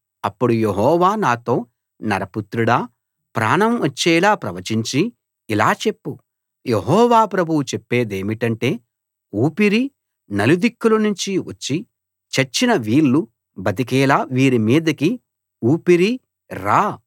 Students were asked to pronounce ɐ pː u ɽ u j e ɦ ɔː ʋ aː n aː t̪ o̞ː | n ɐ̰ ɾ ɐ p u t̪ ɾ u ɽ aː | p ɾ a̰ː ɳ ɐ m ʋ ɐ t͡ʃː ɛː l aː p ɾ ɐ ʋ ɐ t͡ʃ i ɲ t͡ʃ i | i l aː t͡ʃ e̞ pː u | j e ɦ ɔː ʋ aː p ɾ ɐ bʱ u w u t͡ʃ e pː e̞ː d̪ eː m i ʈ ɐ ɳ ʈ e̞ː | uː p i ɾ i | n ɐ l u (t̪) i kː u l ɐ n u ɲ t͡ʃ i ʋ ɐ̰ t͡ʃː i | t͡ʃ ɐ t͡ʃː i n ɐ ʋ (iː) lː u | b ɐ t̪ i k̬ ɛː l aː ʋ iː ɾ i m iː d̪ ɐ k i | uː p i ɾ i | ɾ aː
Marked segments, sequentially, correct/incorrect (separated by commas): incorrect, correct